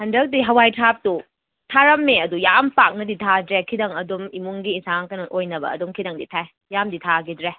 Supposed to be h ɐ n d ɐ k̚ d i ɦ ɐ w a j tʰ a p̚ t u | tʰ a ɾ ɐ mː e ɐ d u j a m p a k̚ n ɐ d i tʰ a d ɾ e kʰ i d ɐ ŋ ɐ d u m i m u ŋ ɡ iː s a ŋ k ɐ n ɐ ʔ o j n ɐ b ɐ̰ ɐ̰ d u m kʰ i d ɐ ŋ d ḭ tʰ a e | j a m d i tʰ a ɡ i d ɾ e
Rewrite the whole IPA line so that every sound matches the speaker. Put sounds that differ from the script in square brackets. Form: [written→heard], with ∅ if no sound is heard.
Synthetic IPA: h ɐ n d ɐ k̚ d i ɦ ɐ w a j tʰ a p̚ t u | tʰ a ɾ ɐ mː e ɐ d u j a m p a k̚ n ɐ d i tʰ a d ɾ e kʰ i d ɐ ŋ ɐ d u m i m u ŋ ɡ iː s a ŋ k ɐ n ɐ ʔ o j n ɐ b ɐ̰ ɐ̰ d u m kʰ i d ɐ ŋ d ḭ tʰ a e | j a m d i tʰ a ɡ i d ɾ e